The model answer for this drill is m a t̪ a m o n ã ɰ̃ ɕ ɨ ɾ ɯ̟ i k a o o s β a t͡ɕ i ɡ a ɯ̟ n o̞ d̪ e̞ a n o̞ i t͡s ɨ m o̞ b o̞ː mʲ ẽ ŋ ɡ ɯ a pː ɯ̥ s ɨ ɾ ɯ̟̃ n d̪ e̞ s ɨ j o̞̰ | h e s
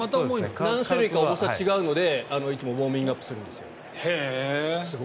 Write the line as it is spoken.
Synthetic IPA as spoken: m a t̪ a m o n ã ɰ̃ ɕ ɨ ɾ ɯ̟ i k a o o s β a t͡ɕ i ɡ a ɯ̟ n o̞ d̪ e̞ a n o̞ i t͡s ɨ m o̞ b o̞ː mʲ ĩ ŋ ɡ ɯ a pː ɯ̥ s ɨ ɾ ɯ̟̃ n d̪ e̞ s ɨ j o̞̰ | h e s